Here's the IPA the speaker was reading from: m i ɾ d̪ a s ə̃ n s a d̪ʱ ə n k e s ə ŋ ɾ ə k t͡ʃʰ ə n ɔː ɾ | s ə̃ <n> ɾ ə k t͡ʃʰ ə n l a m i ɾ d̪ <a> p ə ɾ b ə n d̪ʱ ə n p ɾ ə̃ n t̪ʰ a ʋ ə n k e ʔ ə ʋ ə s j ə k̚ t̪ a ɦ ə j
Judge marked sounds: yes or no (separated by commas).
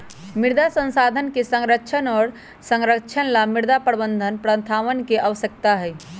no, yes